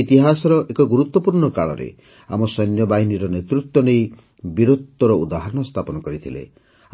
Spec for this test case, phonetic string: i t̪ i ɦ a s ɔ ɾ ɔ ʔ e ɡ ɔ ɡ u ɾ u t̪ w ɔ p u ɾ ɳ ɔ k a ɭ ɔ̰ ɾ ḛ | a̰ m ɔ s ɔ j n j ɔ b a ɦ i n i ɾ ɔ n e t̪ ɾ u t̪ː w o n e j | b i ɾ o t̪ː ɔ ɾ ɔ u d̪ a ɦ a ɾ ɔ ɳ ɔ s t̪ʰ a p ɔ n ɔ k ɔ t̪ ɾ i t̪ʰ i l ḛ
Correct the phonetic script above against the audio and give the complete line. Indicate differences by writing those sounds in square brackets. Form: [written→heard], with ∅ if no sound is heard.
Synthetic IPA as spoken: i t̪ i ɦ a s ɔ ɾ ɔ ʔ e [ɡ→k] ɔ ɡ u ɾ u t̪ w ɔ p u ɾ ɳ ɔ k a ɭ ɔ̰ ɾ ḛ | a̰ m ɔ s ɔ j n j ɔ b a ɦ i n i ɾ ɔ n e t̪ ɾ u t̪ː w [o→ɔ] n e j | b i ɾ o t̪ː ɔ ɾ ɔ u d̪ a ɦ a ɾ ɔ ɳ ɔ s t̪ʰ a p ɔ n ɔ k ɔ [t̪→∅] ɾ i t̪ʰ i l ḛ